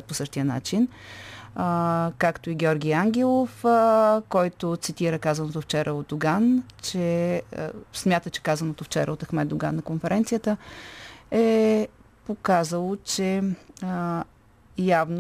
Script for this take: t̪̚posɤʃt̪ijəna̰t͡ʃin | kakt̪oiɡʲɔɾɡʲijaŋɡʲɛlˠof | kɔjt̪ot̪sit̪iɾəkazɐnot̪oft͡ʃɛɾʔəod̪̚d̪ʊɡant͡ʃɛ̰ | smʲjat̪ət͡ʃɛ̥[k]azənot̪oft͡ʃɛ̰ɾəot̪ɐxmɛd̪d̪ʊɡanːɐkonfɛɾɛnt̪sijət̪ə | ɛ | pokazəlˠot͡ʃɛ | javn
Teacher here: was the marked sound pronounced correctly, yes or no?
yes